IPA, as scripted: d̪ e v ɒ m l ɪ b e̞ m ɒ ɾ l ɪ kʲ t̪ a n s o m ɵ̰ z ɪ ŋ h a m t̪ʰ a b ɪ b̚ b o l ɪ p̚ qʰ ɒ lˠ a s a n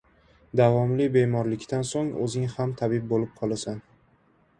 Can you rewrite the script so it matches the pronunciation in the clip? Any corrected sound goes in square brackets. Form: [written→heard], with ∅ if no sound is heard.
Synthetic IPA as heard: d̪ [e→a] v ɒ m l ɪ b e̞ m ɒ ɾ l ɪ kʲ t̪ a n s o [m→ŋ] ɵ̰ z ɪ ŋ h a m t̪ʰ a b ɪ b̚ b o l ɪ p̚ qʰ ɒ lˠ a s a n